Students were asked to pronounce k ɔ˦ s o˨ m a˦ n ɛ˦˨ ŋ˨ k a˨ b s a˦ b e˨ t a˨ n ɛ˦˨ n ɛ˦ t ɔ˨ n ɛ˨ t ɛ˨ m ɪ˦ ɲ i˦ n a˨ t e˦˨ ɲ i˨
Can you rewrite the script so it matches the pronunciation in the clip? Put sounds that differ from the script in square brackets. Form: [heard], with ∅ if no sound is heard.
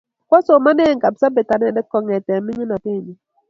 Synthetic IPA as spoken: k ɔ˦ s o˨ m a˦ n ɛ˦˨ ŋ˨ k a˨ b s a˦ b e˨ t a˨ n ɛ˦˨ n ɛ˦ [k] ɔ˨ [ŋ] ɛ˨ t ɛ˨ m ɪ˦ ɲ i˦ n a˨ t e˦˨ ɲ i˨